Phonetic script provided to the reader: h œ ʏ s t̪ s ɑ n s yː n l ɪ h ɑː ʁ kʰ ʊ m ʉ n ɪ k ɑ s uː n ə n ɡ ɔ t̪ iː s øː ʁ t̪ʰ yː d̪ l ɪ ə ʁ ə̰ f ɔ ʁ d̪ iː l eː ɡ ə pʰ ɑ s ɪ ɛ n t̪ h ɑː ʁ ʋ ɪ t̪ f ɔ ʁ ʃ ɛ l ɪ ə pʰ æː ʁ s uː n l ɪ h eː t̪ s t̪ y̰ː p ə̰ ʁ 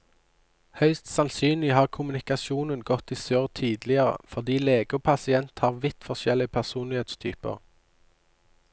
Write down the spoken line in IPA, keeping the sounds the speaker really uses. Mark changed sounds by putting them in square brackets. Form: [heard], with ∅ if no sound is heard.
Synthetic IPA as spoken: h œ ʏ s t̪ s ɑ n s yː n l ɪ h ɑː ʁ kʰ ʊ m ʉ n ɪ k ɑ s uː n ə n ɡ ɔ t̪ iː s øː ʁ t̪ʰ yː d̪ l ɪ ə ʁ ə̰ f ɔ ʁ d̪ iː l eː ɡ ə pʰ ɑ s ɪ ɛ n t̪ h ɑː ʁ ʋ ɪ t̪ f ɔ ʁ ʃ ɛ l ɪ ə pʰ [æ] ʁ s uː n l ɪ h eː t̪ s [t̪ʰ] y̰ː p ə̰ ʁ